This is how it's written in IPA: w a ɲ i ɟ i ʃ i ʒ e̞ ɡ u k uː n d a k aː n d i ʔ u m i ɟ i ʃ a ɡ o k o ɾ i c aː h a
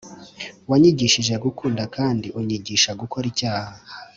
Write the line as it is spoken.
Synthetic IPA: w a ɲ i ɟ i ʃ i ʒ e̞ ɡ u k uː n d a k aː n d i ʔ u ɲ i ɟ i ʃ a ɡ u k o ɾ i c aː h a